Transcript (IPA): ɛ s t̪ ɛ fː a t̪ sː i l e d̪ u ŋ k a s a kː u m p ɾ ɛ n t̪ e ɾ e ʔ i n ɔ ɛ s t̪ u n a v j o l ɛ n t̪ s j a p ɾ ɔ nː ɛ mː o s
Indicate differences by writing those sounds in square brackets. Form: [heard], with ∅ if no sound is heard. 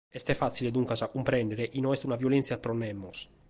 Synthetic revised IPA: ɛ s t̪ ɛ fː a t̪ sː i l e d̪ u ŋ k a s a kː u m p ɾ ɛ n [d̪] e ɾ e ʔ i n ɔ ɛ s t̪ u n a v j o l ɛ n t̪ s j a p ɾ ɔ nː ɛ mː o s